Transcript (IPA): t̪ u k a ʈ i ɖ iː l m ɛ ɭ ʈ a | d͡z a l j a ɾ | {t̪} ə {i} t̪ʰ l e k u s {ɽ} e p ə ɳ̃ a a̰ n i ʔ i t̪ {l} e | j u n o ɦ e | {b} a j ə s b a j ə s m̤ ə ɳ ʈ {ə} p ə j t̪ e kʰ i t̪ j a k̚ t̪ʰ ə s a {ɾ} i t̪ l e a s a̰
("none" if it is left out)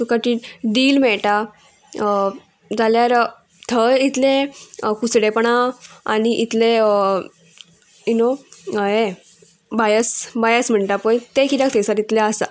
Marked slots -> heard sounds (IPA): t̪ʰ, i, ɽ, l, b, a, ɾ

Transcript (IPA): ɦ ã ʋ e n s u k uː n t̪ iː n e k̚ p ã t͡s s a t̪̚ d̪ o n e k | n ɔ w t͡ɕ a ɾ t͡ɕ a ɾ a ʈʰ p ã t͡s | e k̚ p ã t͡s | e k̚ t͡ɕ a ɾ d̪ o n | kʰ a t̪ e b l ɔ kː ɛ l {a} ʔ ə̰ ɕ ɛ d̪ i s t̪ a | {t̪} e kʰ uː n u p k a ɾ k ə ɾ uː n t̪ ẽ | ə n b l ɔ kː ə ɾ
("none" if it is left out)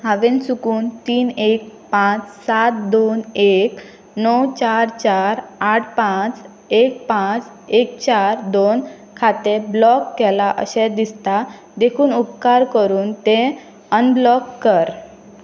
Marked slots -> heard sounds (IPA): a, d̪

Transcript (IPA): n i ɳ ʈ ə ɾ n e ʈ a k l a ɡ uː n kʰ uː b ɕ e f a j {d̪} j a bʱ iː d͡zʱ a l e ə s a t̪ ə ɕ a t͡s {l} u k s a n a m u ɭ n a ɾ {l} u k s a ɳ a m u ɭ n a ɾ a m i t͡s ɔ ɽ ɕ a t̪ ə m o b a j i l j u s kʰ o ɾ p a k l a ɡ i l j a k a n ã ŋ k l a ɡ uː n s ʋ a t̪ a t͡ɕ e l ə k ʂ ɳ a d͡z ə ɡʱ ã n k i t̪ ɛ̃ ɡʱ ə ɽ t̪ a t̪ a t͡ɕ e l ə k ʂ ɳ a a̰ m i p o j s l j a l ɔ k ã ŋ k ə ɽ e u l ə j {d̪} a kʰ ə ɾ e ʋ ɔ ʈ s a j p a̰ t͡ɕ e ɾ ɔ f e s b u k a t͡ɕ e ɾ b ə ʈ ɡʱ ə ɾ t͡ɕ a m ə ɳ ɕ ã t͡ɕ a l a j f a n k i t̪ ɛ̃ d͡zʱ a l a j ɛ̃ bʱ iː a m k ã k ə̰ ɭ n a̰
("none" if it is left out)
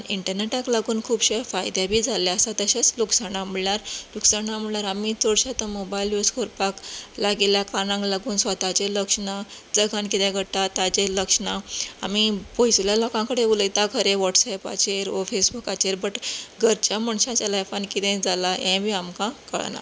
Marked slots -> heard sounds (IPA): d̪, l, l, t̪

